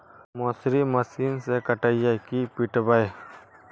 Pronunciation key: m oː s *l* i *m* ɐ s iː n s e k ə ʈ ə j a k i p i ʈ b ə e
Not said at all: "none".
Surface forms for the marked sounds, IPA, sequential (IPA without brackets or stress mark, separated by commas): ɾ, m